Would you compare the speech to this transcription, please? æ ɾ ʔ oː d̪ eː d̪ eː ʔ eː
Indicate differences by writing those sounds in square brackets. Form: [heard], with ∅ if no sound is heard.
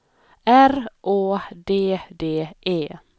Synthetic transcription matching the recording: æ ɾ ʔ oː d̪ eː d̪ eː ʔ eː